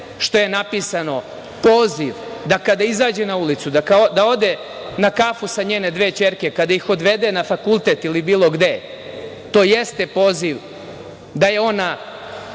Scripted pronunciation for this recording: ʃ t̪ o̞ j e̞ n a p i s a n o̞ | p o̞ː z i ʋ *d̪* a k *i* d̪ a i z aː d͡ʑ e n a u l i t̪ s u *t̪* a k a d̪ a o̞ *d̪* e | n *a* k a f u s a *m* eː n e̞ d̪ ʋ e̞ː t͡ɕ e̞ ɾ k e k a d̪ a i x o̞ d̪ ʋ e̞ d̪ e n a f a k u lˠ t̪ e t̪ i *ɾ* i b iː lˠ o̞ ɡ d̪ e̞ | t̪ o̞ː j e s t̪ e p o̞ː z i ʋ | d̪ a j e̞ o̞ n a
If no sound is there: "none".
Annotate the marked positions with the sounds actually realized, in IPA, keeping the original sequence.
d̪, a, d̪, d̪, a, ɲ, l

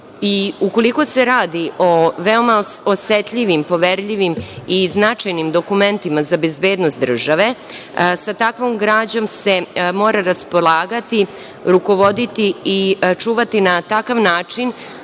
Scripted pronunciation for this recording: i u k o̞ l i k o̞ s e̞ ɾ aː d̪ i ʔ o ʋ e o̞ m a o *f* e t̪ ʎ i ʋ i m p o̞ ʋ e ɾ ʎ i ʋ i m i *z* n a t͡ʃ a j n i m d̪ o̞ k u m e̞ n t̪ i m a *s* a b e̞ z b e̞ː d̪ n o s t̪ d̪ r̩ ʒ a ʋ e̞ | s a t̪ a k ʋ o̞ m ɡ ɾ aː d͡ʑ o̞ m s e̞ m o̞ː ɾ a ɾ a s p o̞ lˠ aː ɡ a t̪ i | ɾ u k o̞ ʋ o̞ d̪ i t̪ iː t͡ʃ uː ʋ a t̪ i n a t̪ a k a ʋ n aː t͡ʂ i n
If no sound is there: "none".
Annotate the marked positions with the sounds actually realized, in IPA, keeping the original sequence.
s, z, z

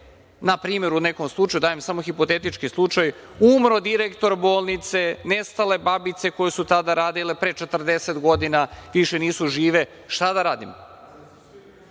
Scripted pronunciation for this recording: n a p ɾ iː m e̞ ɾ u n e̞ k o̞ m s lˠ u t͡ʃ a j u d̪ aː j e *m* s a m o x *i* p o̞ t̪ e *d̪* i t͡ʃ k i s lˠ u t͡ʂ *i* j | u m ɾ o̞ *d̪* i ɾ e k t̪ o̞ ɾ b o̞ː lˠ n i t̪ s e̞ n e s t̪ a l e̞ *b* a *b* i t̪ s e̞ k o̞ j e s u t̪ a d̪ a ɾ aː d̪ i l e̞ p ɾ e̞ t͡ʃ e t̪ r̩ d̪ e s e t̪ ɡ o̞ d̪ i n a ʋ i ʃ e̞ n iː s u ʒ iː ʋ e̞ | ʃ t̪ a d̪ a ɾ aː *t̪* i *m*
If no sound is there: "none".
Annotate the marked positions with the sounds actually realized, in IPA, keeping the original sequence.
m, i, t̪, a, d̪, b, b, d̪, m

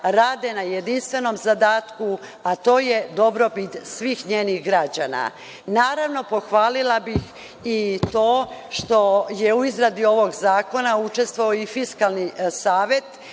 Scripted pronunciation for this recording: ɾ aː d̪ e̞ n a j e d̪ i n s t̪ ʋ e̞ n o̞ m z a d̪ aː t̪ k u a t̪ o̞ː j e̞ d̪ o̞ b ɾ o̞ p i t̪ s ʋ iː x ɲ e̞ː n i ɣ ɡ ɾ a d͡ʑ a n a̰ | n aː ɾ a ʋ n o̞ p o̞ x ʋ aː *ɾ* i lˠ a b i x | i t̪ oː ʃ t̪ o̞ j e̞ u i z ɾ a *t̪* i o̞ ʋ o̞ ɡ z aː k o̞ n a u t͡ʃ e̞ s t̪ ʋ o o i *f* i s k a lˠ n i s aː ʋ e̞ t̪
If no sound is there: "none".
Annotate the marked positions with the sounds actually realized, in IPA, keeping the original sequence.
l, d̪, f

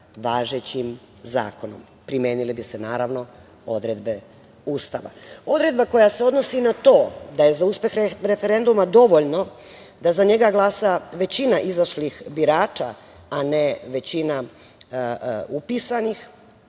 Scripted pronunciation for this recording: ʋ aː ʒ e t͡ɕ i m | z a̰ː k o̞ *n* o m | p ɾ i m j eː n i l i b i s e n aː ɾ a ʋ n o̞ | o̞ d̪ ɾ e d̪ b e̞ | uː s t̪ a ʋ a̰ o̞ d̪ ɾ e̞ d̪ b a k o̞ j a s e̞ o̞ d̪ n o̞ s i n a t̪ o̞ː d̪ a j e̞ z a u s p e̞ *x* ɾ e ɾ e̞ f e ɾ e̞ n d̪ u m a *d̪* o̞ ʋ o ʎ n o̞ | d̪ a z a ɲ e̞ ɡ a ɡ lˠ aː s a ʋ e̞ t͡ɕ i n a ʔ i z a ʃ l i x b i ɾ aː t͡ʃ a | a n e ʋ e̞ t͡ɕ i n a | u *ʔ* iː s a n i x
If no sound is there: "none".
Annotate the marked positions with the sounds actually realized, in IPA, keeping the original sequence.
n, x, d̪, p

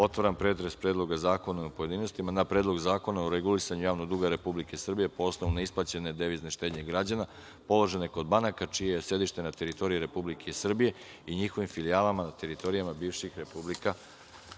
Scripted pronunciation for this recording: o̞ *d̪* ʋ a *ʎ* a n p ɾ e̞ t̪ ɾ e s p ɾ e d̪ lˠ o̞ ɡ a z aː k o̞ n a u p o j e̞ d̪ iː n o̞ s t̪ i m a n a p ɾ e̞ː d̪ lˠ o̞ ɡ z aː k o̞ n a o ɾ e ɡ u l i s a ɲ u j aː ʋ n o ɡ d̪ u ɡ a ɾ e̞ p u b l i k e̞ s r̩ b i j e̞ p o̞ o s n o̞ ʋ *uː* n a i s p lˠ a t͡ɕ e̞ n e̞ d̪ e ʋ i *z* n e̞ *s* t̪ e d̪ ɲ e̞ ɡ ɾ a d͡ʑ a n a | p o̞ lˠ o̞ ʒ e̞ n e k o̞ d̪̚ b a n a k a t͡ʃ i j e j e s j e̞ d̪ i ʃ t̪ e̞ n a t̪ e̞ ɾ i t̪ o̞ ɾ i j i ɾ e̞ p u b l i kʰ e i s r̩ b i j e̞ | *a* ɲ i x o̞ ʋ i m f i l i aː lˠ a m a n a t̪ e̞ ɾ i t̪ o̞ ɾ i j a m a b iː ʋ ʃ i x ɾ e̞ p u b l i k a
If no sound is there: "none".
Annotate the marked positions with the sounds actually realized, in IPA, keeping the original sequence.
t̪, ɾ, u, z, ʃ, i

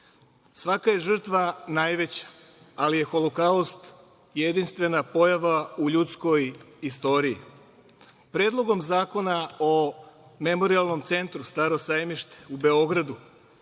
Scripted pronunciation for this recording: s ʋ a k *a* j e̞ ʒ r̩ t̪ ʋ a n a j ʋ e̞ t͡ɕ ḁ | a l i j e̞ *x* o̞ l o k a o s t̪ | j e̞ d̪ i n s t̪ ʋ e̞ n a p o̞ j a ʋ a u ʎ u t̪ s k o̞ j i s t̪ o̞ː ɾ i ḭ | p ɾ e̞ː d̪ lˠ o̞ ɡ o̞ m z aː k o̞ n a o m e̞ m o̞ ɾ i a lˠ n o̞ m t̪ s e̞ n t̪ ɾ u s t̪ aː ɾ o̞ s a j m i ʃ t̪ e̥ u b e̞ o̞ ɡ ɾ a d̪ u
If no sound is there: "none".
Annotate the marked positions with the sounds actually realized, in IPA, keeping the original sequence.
a, x

